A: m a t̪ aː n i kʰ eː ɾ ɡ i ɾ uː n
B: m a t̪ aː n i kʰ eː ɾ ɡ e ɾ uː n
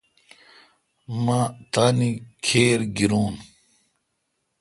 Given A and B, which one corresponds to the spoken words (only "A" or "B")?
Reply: A